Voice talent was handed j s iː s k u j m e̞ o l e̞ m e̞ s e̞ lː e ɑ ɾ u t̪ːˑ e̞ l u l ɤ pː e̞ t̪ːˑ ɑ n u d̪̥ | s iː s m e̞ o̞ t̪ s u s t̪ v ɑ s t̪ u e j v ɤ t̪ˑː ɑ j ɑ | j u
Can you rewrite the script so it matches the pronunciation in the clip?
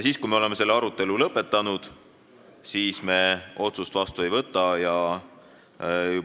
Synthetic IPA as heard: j s iː s k u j m e̞ o l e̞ m e̞ s e̞ lː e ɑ ɾ u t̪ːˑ e̞ l u l ɤ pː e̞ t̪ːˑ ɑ n u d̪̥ | s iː s m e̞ o̞ t̪ s u s t̪ v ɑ s t̪ u e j v ɤ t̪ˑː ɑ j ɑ | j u